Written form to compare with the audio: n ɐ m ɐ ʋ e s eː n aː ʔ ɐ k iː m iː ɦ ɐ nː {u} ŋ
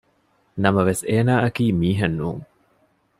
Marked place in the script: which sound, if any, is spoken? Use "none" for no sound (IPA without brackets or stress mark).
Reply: uː